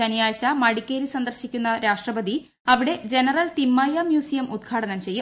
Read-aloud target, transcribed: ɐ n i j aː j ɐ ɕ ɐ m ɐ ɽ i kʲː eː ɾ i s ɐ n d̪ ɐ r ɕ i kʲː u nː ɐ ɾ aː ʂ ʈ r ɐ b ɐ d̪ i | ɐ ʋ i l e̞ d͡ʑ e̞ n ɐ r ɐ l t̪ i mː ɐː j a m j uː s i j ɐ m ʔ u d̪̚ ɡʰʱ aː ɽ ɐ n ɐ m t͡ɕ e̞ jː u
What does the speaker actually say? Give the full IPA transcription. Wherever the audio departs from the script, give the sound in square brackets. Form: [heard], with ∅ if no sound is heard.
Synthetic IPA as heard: ɐ n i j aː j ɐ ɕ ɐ m ɐ ɽ i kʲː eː ɾ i s ɐ n d̪ ɐ r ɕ i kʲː u nː ɐ ɾ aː ʂ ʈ r ɐ b ɐ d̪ i | ɐ ʋ i [ɽ] e̞ d͡ʑ e̞ n ɐ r ɐ l t̪ i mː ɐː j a m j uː s i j ɐ m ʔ u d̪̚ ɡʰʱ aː ɽ ɐ n ɐ m t͡ɕ e̞ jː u

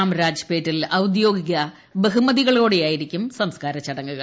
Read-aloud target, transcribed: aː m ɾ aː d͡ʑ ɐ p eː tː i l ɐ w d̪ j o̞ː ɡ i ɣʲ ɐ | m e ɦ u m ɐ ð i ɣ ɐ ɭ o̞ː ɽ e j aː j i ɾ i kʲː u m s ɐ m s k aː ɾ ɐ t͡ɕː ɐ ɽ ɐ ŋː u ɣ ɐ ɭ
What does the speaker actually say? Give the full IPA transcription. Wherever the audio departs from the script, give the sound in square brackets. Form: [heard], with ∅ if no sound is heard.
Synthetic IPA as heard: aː m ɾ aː d͡ʑ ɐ p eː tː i l ɐ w d̪ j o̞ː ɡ i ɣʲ ɐ | [b] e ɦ u m ɐ ð i ɣ ɐ ɭ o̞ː ɽ e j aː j i ɾ i kʲː u m s ɐ m s k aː ɾ ɐ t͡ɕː ɐ ɽ ɐ ŋː u ɣ ɐ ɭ

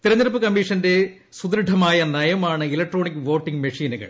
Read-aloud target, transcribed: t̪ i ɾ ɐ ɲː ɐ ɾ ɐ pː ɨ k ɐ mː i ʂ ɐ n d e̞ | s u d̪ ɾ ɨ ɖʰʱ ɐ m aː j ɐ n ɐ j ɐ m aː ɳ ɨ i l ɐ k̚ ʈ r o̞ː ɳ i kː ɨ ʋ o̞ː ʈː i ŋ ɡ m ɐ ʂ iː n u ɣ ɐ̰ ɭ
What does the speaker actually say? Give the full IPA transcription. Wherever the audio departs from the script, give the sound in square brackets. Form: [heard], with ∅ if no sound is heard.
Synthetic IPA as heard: t̪ i ɾ ɐ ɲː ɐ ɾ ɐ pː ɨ k ɐ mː i ʂ ɐ n d e̞ | s u d̪ ɾ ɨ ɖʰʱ ɐ m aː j ɐ n ɐ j ɐ m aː ɳ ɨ i l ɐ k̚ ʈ r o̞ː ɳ i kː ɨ ʋ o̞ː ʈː i ŋ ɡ m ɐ ʂ iː n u ɣ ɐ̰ ɭ

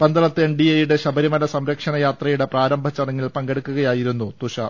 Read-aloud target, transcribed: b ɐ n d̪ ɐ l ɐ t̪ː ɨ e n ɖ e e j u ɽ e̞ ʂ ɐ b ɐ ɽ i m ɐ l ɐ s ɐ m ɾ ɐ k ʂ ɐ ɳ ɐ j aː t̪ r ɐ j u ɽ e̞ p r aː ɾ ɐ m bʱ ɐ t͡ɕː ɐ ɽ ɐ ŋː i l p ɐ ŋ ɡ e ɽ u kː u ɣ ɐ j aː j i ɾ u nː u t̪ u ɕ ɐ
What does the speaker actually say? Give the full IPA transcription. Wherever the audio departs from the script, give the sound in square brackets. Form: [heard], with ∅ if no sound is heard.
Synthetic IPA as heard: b ɐ n d̪ ɐ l ɐ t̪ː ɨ e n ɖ [i] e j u ɽ e̞ [ɕ] ɐ b ɐ [ɾ] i m ɐ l ɐ s ɐ m ɾ ɐ k ʂ ɐ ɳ ɐ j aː t̪ r ɐ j u ɽ e̞ p r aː ɾ ɐ m bʱ ɐ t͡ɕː ɐ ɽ ɐ ŋː i l p ɐ ŋ ɡ e ɽ u kː u ɣ ɐ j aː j i ɾ u nː u t̪ u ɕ ɐ

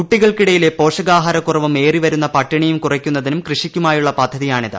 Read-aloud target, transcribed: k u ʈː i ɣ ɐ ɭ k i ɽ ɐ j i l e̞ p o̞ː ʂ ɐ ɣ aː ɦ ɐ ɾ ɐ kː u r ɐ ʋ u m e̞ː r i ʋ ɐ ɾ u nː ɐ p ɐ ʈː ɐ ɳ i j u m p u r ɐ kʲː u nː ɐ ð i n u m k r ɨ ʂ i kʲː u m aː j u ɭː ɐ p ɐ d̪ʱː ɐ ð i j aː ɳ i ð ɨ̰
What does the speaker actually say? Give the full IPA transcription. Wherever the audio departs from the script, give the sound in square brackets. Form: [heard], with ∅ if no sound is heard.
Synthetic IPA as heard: k u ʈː i ɣ ɐ ɭ k i ɽ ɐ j i l e̞ p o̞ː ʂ ɐ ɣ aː ɦ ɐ ɾ ɐ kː u r ɐ ʋ u m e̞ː r i ʋ ɐ ɾ u nː ɐ p ɐ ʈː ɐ ɳ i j u m [k] u r ɐ kʲː u nː ɐ ð i n u m k r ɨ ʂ i kʲː u m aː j u ɭː ɐ p ɐ d̪ʱː ɐ ð i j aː ɳ i ð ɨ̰

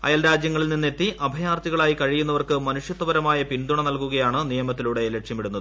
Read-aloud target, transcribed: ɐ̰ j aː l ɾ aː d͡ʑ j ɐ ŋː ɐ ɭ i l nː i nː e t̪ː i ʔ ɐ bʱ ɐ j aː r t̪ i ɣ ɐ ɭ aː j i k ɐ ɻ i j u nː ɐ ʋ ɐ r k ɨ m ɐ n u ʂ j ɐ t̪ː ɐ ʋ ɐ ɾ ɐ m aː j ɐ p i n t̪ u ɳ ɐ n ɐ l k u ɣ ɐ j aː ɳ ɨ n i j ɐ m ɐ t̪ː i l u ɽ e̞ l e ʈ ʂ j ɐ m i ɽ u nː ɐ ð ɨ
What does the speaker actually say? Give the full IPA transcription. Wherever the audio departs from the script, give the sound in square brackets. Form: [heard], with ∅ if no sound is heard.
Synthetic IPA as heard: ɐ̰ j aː l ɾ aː d͡ʑ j ɐ ŋː ɐ ɭ i l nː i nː e t̪ː i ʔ ɐ bʱ ɐ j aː r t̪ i ɣ ɐ ɭ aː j i k ɐ ɻ i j u nː ɐ ʋ ɐ r k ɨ m ɐ n u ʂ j ɐ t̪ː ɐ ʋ ɐ ɾ ɐ m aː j ɐ p i n [d̪] u ɳ ɐ n ɐ l k u ɣ ɐ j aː ɳ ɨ n i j ɐ m ɐ t̪ː i l u ɽ e̞ l e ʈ ʂ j ɐ m i ɽ u nː ɐ ð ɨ

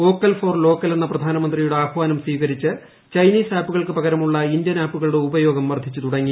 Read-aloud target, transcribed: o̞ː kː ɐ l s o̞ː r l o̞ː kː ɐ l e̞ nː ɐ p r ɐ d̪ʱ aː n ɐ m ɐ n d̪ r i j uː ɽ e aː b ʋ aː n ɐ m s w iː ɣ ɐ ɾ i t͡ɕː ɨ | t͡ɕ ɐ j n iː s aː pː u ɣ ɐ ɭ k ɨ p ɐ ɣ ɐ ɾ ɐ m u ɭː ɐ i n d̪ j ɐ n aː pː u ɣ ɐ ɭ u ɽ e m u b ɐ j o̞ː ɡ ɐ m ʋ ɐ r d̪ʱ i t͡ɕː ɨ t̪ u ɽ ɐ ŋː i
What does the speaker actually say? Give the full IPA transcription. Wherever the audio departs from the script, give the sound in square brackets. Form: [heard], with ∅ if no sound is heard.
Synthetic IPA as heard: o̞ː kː ɐ l [f] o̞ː r l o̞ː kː ɐ l e̞ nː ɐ p r ɐ d̪ʱ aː n ɐ m ɐ n d̪ r i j [u] ɽ e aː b ʋ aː n ɐ m s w iː ɣ ɐ ɾ i t͡ɕː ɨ | t͡ɕ ɐ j n iː s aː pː u ɣ ɐ ɭ k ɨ p ɐ ɣ ɐ ɾ ɐ m u ɭː ɐ i n d̪ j ɐ n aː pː u ɣ ɐ ɭ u ɽ e [∅] u b ɐ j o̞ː ɡ ɐ m ʋ ɐ r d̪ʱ i t͡ɕː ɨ t̪ u ɽ ɐ ŋː i

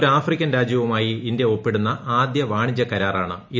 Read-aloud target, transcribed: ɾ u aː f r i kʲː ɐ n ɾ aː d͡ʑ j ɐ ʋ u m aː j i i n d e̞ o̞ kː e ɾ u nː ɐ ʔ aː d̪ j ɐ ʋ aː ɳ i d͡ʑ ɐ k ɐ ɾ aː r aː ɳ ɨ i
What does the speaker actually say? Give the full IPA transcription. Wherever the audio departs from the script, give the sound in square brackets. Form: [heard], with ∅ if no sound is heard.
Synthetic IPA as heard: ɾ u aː f r i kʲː ɐ n ɾ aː d͡ʑ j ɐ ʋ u m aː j i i n d e̞ o̞ [pː] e [ɽ] u nː ɐ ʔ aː d̪ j ɐ ʋ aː ɳ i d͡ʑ ɐ k ɐ ɾ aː r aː ɳ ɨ i

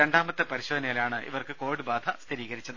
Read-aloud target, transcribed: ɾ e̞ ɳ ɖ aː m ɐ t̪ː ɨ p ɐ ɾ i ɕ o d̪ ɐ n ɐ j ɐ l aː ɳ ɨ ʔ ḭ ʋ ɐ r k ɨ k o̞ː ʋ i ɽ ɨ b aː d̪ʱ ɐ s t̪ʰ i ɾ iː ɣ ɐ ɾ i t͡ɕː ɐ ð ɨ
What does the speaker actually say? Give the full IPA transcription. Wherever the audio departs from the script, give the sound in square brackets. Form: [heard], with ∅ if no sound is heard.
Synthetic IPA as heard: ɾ e̞ ɳ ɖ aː m ɐ t̪ː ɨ p ɐ ɾ i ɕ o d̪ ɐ n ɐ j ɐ l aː ɳ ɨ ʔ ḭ ʋ ɐ r k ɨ k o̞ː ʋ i ɽ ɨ b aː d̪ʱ ɐ s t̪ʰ i ɾ iː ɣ ɐ ɾ i t͡ɕː ɐ ð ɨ

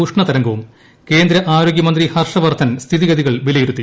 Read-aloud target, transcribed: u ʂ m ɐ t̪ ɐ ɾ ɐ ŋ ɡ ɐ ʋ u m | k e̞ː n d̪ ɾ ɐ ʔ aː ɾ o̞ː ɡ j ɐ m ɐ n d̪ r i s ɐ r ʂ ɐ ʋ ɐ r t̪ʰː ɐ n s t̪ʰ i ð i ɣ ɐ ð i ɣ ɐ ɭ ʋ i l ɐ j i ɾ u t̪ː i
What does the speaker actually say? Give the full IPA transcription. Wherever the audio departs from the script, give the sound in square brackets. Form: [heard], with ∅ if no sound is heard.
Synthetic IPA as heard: u ʂ [ɳ] ɐ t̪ ɐ ɾ ɐ ŋ ɡ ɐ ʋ u m | k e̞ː n d̪ ɾ ɐ ʔ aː ɾ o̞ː ɡ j ɐ m ɐ n d̪ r i [h] ɐ r ʂ ɐ ʋ ɐ r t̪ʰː ɐ n s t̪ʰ i ð i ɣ ɐ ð i ɣ ɐ ɭ ʋ i l ɐ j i ɾ u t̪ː i

